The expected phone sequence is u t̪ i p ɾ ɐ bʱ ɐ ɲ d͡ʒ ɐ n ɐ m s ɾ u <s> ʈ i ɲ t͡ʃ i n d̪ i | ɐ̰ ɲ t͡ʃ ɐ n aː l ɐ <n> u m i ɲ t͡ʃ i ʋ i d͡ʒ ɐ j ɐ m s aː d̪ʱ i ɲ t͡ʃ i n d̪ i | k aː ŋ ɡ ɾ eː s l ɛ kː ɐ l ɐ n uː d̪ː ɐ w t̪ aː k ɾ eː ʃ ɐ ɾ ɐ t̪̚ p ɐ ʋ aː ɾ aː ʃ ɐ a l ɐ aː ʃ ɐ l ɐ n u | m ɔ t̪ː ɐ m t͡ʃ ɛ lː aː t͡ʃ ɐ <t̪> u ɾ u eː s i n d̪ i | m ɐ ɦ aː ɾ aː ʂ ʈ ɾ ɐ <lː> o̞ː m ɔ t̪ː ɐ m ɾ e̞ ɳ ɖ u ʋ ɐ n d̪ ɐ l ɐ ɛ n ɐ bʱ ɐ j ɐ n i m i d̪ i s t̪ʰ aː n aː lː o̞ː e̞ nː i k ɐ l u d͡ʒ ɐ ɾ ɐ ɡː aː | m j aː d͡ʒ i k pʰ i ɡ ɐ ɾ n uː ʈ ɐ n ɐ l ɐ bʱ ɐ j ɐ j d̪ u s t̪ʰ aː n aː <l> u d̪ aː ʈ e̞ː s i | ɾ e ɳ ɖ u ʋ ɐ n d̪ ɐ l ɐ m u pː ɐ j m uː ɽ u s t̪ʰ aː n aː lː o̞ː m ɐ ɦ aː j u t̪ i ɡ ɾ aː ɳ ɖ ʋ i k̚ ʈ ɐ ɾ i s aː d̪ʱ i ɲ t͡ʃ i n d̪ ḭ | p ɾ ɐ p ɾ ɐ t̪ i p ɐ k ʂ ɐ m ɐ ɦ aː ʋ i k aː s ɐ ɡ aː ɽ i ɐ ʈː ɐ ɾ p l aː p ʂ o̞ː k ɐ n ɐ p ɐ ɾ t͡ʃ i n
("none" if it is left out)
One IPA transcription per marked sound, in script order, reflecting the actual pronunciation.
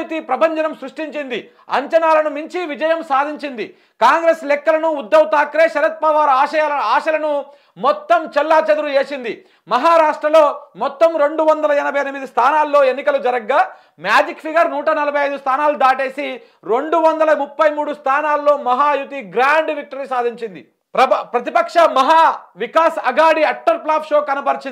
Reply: ʂ, n, d̪, l, l

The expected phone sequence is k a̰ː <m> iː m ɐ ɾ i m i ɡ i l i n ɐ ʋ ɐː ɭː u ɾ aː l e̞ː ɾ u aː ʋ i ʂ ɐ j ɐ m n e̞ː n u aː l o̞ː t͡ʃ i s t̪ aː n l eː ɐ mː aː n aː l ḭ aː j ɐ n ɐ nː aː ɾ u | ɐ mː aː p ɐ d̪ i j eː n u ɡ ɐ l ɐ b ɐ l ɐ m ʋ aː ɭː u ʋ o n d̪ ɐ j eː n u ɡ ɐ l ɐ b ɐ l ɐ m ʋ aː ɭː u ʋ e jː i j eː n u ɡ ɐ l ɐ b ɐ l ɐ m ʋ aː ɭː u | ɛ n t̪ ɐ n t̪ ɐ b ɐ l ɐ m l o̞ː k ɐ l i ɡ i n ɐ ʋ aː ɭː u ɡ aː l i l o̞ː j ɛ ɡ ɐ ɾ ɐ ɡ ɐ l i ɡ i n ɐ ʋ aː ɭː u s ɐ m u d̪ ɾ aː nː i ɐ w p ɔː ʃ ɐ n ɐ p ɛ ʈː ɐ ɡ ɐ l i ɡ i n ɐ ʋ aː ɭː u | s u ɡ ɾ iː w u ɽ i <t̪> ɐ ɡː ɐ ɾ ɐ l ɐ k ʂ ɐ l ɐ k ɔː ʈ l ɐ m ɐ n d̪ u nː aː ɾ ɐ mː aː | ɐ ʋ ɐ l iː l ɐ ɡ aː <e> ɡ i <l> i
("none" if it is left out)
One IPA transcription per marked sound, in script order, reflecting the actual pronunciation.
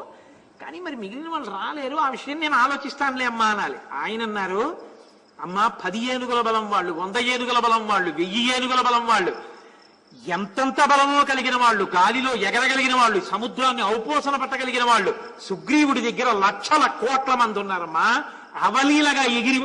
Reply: n, d̪, e, ɾ

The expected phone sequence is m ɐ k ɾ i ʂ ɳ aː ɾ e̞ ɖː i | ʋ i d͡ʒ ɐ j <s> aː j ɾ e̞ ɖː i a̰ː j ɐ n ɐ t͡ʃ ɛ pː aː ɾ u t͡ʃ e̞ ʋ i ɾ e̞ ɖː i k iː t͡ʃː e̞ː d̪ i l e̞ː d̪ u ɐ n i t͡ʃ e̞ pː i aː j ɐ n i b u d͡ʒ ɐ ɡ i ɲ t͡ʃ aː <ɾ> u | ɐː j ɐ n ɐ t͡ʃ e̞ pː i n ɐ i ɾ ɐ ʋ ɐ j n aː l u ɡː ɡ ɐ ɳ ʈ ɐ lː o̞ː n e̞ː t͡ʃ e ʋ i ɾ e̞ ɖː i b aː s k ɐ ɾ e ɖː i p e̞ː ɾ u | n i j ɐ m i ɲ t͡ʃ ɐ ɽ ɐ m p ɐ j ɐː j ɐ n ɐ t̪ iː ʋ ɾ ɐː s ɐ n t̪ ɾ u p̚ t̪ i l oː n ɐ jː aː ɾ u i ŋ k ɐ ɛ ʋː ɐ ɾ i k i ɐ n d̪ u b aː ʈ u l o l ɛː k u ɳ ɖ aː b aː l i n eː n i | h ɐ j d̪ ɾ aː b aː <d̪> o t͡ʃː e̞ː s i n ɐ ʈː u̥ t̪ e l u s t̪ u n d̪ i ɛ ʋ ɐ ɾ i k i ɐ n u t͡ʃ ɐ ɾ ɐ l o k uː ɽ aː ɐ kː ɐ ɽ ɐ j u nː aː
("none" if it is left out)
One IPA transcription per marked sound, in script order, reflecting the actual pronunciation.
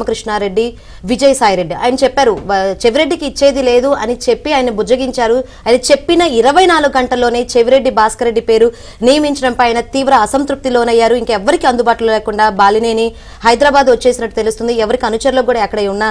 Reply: s, ɾ, d̪

